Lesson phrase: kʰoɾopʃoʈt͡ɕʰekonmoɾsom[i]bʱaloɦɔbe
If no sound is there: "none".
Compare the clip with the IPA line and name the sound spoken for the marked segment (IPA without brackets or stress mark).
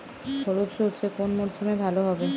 e